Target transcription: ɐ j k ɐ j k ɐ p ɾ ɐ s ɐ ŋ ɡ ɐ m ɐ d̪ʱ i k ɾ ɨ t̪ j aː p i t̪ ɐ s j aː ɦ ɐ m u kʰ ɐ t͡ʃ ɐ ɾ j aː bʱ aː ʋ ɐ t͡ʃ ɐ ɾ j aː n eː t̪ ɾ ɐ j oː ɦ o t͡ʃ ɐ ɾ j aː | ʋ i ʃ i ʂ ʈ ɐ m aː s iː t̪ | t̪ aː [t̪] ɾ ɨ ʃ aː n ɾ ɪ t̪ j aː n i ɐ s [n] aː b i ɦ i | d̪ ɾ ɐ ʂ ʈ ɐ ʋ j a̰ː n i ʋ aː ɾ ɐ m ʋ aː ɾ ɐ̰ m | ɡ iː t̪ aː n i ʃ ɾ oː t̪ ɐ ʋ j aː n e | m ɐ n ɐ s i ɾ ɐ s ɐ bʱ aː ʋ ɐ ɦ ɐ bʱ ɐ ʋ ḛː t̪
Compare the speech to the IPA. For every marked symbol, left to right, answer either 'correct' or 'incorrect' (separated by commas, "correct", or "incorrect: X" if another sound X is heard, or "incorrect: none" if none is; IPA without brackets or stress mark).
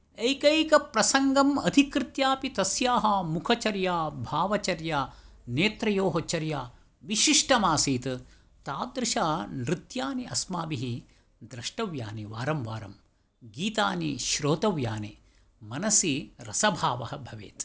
incorrect: d̪, incorrect: m